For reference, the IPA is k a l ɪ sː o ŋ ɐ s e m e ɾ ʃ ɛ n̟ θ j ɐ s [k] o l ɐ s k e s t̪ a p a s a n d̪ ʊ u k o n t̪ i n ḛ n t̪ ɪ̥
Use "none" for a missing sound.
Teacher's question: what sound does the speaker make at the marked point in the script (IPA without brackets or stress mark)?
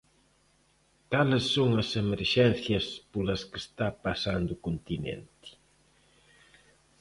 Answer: p